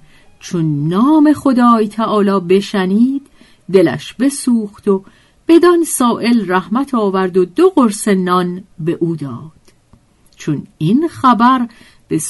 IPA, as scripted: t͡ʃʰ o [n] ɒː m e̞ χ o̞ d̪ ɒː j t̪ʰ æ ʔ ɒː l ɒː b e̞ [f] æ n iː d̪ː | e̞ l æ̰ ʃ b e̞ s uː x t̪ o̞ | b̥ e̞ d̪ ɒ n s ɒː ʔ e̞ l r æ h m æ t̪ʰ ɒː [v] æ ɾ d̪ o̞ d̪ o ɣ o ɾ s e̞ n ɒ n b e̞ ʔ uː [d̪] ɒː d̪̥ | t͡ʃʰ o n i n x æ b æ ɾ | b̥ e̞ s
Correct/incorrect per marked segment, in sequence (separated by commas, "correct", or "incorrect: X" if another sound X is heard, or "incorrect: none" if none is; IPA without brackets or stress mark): incorrect: nː, incorrect: ʃ, correct, correct